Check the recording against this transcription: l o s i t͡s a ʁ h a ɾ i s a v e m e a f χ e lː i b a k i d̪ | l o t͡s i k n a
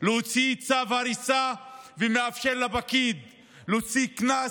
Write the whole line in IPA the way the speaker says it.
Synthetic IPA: l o t͡s i t͡s a v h a ɾ i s a v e m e a f ʃ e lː a b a k i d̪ | l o t͡s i k n a